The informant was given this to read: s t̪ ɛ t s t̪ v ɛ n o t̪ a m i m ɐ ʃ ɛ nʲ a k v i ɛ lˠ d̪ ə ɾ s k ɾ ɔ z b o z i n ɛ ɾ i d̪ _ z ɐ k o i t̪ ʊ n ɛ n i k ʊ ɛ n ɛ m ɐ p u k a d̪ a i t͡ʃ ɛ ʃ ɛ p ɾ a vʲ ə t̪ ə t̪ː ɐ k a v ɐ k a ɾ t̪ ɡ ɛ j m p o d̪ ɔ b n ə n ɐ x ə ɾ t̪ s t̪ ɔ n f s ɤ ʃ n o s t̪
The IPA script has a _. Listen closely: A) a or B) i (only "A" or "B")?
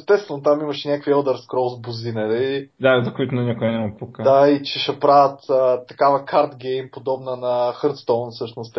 A